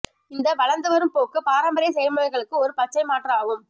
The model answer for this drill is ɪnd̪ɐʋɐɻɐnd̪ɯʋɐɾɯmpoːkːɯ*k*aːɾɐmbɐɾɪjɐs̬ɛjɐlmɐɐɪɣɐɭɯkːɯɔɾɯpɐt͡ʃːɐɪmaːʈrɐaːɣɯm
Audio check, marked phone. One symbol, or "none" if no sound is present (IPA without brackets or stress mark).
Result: p